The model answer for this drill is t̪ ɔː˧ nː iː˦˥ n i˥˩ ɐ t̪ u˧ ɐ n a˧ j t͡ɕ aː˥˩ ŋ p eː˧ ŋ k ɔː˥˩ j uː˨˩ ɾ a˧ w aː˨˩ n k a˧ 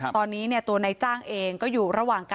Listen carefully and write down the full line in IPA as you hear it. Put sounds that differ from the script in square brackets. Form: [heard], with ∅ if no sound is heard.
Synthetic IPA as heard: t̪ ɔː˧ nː iː˦˥ n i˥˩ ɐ t̪ u˧ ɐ n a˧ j t͡ɕ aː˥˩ ŋ [ʔ] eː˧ ŋ k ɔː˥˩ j uː˨˩ ɾ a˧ w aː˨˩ [ŋ] k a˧